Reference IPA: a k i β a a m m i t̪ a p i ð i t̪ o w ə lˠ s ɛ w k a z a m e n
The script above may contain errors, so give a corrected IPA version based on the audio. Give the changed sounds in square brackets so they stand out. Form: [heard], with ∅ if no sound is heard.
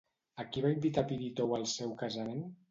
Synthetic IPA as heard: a k i β a [i] m [b] i t̪ a p i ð i t̪ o w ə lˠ s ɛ w k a z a m e n